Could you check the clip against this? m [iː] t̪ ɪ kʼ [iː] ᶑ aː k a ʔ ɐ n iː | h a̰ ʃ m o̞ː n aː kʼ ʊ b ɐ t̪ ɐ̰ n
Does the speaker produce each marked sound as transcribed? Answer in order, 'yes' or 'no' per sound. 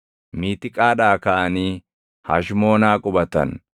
yes, no

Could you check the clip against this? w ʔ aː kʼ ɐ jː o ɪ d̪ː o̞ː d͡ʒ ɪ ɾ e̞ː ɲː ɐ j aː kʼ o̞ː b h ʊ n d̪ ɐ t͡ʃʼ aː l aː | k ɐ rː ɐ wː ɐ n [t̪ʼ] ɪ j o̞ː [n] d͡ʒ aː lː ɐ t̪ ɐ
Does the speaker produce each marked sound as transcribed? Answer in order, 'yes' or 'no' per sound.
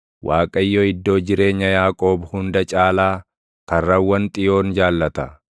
yes, yes

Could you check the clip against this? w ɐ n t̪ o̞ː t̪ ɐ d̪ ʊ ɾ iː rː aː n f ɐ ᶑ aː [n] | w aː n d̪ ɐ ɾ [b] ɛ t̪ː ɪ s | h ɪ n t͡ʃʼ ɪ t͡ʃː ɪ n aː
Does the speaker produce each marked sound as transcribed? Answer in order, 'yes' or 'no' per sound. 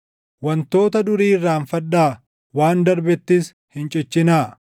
no, yes

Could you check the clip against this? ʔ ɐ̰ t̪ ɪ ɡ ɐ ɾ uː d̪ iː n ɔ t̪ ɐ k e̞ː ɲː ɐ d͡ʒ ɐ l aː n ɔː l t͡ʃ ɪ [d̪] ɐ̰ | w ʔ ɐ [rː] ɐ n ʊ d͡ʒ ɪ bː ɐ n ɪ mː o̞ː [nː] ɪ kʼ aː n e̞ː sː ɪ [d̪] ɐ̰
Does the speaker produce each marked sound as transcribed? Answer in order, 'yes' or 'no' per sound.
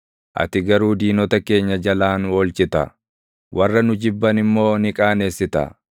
no, yes, no, no

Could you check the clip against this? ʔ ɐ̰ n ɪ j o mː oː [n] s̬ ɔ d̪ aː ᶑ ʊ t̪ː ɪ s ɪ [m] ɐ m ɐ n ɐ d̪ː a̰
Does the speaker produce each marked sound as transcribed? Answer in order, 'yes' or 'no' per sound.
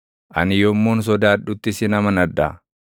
yes, no

